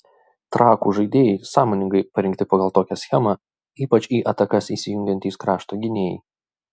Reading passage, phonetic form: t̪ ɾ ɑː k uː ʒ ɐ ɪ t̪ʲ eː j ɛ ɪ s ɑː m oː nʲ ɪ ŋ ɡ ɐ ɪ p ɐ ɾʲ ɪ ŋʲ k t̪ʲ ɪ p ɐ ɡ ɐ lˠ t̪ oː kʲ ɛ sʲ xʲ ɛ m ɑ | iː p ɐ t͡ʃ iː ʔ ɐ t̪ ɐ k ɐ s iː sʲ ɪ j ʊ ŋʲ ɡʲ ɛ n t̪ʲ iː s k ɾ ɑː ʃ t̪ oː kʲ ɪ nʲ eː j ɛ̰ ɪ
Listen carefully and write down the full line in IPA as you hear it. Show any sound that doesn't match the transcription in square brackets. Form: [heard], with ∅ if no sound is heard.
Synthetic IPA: t̪ ɾ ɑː k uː ʒ ɐ ɪ [d̪ʲ] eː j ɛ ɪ s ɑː m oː nʲ ɪ ŋ ɡ ɐ ɪ p ɐ ɾʲ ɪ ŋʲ k t̪ʲ ɪ p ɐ ɡ ɐ lˠ t̪ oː kʲ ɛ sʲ xʲ ɛ m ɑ | iː p ɐ t͡ʃ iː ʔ ɐ t̪ ɐ k ɐ s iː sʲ ɪ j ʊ ŋʲ ɡʲ ɛ n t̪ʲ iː s k ɾ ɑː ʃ t̪ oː [ɡʲ] ɪ nʲ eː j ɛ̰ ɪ